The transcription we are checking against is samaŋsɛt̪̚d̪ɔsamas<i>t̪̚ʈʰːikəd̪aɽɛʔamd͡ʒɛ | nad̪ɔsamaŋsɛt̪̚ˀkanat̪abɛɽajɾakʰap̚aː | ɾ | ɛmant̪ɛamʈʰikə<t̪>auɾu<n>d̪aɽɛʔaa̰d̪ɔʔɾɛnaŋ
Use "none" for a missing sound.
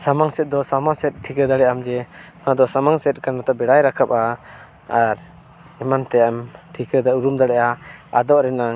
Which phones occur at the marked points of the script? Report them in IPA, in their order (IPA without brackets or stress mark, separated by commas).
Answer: ɛ, d̪, m